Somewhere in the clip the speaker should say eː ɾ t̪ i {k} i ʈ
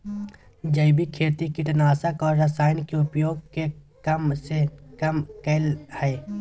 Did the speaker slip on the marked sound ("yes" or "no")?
no